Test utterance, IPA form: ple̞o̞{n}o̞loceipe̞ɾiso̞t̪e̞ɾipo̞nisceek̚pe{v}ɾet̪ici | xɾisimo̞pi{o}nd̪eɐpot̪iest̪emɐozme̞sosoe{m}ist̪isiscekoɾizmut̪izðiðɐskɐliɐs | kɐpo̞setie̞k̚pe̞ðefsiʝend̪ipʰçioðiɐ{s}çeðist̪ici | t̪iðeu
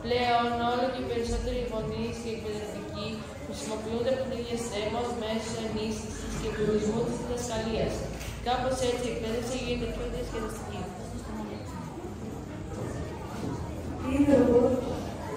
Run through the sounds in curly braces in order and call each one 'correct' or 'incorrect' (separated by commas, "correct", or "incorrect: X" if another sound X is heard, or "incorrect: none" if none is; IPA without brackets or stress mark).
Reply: correct, incorrect: ð, incorrect: u, incorrect: n, correct